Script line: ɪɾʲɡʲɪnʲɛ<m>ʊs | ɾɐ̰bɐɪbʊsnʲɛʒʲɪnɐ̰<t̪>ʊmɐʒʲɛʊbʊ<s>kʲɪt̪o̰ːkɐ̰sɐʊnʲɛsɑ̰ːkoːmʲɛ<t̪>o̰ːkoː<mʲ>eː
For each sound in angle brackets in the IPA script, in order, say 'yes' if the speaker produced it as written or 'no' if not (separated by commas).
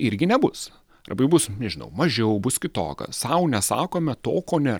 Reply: no, no, yes, yes, no